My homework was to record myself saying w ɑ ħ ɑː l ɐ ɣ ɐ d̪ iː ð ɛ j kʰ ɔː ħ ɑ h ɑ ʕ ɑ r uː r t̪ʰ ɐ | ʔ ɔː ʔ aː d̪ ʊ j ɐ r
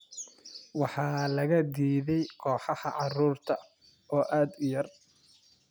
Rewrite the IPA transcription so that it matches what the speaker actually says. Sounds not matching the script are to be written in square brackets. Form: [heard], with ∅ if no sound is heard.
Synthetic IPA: w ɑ ħ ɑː l ɐ ɣ ɐ d̪ iː ð ɛ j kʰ ɔː ħ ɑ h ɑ ʕ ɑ r uː r t̪ʰ ɐ | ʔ ɔː ʔ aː d̪ ʊ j ɐ r